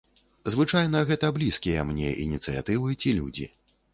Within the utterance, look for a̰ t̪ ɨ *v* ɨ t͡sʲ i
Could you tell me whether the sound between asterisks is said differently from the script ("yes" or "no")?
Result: no